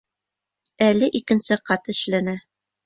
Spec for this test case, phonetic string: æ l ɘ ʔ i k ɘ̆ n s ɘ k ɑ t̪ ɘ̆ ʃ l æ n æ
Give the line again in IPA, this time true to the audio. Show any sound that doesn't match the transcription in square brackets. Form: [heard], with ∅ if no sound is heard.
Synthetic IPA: æ l ɘ ʔ i k ɘ̆ n s ɘ [q] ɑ t̪ ɘ̆ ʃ l æ n æ